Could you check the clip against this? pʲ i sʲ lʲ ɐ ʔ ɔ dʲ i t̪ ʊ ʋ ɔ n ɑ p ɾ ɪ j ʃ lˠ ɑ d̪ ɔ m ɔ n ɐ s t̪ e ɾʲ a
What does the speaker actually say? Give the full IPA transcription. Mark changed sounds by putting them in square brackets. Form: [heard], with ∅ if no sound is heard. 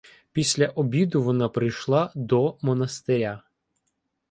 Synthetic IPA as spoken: pʲ i sʲ lʲ ɐ ʔ ɔ [bʲ] i [d̪] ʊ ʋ ɔ n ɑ p ɾ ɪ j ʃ lˠ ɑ d̪ ɔ m ɔ n ɐ s t̪ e ɾʲ a